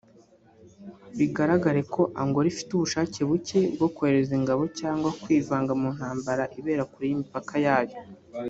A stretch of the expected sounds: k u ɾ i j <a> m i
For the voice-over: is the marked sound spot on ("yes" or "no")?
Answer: no